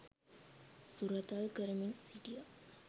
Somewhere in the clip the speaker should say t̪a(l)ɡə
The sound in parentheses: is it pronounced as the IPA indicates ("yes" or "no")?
yes